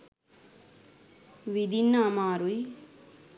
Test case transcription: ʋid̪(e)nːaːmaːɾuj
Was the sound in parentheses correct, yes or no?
no